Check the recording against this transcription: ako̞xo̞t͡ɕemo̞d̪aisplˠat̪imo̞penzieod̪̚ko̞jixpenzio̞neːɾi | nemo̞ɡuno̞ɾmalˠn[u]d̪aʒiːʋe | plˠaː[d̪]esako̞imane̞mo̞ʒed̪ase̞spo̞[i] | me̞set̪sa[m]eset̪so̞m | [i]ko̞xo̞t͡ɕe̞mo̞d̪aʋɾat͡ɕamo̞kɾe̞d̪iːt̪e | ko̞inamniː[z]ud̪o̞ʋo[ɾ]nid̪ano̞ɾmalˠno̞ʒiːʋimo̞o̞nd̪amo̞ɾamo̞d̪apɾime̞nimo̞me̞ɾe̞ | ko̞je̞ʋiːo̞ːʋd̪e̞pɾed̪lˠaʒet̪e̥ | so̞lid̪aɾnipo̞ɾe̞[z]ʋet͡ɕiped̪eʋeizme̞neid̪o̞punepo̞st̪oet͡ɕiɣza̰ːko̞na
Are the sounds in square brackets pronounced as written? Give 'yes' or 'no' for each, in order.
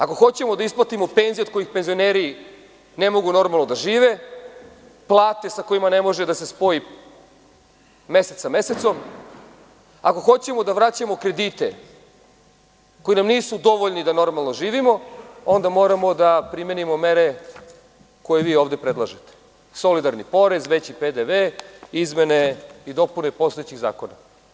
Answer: no, no, yes, yes, no, no, no, yes

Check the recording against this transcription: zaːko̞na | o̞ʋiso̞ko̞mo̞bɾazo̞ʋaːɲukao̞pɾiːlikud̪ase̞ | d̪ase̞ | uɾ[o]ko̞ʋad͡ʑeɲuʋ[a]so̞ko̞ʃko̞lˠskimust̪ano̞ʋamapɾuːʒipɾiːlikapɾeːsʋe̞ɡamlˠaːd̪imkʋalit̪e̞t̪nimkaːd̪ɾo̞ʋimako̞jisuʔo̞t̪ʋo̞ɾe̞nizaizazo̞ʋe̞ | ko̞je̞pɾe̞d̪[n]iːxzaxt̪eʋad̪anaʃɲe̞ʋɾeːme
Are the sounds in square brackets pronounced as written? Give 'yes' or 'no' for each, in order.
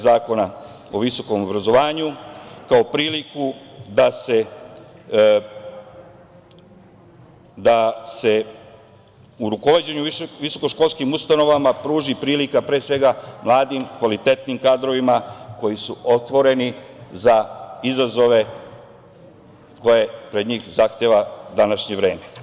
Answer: no, no, no

